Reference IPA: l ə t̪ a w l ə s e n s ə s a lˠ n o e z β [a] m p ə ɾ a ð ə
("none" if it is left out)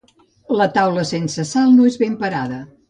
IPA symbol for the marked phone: e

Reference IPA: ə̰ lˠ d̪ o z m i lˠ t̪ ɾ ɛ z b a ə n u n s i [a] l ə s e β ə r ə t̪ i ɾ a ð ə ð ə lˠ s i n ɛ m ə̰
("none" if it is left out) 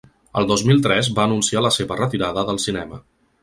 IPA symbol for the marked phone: a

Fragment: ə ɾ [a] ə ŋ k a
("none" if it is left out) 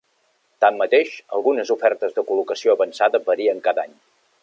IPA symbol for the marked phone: i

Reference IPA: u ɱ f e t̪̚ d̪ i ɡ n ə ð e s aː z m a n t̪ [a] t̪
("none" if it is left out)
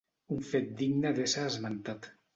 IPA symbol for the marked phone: a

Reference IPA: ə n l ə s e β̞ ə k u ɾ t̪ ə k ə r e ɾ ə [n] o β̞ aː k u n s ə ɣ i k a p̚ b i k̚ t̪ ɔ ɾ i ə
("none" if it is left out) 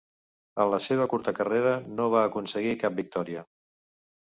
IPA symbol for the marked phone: n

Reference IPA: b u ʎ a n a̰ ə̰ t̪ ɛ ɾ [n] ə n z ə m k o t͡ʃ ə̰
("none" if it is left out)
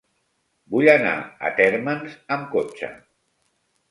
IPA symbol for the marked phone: m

